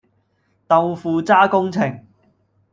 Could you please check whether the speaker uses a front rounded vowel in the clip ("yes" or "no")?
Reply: no